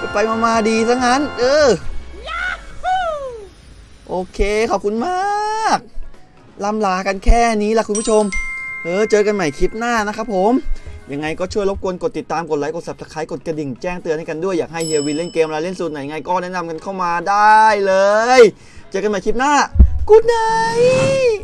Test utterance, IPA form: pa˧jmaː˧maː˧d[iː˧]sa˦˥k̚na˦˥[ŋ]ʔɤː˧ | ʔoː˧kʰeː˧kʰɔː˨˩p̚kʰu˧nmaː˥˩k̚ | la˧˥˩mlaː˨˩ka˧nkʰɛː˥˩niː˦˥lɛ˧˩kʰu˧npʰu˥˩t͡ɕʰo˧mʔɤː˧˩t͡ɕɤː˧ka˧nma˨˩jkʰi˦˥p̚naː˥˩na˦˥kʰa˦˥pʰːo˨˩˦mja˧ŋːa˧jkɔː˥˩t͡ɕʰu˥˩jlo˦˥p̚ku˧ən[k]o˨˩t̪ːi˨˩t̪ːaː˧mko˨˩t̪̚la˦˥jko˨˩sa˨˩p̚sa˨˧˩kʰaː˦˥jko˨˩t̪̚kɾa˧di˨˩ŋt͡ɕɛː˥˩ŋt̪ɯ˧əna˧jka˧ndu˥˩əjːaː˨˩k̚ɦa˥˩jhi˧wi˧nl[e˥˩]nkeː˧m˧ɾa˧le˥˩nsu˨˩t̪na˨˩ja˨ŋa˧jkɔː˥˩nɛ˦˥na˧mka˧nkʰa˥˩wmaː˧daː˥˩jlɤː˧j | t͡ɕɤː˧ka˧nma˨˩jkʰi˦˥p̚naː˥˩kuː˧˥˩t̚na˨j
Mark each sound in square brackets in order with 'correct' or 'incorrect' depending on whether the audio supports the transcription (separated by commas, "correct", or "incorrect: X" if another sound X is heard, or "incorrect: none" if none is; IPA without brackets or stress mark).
correct, incorrect: n, correct, correct